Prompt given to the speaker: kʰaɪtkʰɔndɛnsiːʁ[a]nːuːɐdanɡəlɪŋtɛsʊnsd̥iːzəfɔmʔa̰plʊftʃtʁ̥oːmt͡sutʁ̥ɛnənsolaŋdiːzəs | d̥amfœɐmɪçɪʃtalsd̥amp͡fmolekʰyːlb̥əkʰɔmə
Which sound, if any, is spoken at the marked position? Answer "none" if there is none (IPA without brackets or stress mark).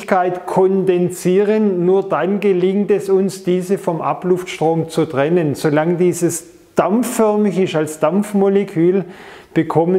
ə